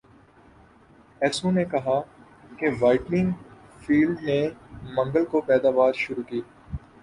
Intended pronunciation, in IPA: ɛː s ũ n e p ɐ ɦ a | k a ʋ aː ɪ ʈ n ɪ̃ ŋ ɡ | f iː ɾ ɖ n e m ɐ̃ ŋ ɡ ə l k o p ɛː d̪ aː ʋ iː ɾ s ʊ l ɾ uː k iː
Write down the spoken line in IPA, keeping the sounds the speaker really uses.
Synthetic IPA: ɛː s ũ n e k ɐ ɦ a | k e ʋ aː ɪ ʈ n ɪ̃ ŋ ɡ | f iː l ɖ n e m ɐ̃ ŋ ɡ ə l k o p ɛː d̪ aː ʋ aː ɾ ʃ ʊ ɾ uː k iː